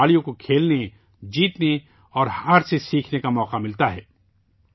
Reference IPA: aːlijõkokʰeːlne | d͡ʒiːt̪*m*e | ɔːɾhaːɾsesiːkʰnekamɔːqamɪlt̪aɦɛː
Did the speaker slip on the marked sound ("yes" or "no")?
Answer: yes